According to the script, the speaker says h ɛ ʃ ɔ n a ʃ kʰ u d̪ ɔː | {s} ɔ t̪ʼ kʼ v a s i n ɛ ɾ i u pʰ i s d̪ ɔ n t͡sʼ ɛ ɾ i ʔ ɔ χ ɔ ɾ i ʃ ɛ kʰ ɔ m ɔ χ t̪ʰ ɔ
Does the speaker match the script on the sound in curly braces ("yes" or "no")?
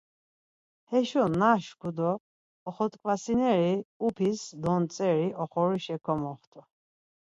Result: no